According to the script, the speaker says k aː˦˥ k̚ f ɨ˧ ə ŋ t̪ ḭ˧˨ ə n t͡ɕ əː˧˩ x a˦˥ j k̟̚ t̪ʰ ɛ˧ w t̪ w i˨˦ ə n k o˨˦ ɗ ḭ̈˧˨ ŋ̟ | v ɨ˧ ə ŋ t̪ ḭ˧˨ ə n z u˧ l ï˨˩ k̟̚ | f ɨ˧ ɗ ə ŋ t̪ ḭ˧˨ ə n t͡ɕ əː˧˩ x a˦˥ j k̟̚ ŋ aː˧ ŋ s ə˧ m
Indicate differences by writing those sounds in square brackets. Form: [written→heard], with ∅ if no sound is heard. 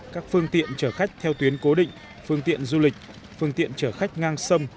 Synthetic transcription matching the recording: k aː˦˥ k̚ f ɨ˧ ə ŋ t̪ ḭ˧˨ ə n t͡ɕ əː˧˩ x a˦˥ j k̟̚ t̪ʰ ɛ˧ w t̪ w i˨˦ ə n k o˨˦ ɗ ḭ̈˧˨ ŋ̟ | [v→f] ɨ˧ ə ŋ t̪ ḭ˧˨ ə n z u˧ l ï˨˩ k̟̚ | f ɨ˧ [ɗ→∅] ə ŋ t̪ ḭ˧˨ ə n t͡ɕ əː˧˩ x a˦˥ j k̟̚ ŋ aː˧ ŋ s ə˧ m